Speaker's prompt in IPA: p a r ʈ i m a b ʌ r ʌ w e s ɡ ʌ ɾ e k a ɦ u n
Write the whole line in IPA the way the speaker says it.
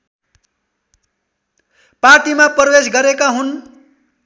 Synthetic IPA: p a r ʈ i m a p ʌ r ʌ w e s ɡ ʌ ɾ e k a ɦ u n